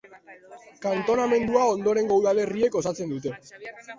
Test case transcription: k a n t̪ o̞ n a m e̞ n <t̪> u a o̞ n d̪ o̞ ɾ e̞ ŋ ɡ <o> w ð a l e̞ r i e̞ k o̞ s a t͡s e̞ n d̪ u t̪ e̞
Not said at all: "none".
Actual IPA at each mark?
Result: d̪, o

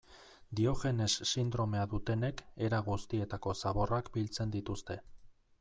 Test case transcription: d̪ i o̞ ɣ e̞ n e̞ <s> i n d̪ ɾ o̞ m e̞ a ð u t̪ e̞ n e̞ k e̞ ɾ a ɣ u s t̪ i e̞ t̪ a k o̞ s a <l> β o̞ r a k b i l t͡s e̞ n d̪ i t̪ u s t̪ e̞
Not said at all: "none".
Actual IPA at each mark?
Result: sː, none

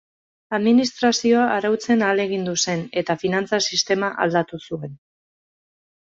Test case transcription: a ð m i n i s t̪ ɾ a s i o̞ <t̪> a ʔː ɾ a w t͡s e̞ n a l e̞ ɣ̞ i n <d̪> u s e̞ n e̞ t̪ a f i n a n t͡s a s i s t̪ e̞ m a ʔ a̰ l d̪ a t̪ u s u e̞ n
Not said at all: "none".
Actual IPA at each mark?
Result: none, d̪

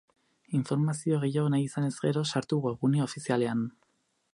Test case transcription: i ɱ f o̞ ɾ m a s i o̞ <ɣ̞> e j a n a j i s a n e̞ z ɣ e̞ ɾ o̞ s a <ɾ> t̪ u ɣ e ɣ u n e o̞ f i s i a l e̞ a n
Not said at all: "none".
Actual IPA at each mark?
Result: ɣ̞, ɾ

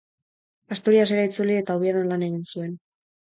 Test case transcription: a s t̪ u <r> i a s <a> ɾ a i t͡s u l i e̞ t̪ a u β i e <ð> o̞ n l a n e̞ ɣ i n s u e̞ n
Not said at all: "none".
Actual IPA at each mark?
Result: ɾ, e, ð

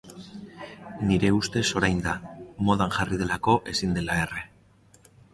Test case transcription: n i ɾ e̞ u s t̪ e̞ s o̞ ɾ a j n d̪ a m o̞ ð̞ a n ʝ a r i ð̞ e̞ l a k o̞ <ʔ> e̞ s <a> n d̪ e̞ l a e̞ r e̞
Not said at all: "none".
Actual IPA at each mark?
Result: ʔ, i

